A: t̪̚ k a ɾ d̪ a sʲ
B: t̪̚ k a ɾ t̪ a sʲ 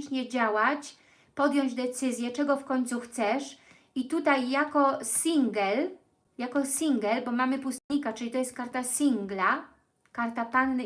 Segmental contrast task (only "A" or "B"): B